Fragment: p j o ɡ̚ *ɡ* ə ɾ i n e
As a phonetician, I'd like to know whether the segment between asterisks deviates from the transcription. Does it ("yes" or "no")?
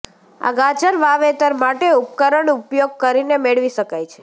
yes